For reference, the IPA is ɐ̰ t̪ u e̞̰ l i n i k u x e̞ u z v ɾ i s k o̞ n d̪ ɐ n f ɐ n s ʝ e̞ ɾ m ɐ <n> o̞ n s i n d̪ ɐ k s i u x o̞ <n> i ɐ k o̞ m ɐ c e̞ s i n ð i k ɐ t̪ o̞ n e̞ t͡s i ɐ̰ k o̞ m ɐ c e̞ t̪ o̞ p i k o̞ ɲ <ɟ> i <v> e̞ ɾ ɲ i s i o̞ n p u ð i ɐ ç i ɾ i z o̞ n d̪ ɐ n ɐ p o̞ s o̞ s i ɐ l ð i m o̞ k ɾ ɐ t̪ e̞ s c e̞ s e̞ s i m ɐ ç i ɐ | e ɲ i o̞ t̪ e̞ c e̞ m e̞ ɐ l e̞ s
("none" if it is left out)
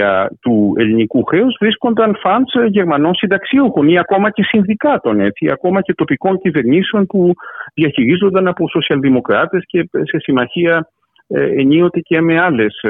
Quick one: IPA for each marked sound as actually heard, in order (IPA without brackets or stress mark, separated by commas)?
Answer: n, n, c, v